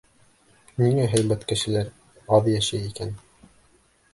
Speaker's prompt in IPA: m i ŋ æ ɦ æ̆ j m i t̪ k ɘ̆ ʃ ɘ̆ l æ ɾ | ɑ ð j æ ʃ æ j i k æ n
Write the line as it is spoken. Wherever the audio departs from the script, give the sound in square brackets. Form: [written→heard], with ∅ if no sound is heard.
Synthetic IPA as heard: [m→n] i ŋ æ ɦ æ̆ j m [i→æ] t̪ k ɘ̆ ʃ ɘ̆ l æ ɾ | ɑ ð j æ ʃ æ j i k æ n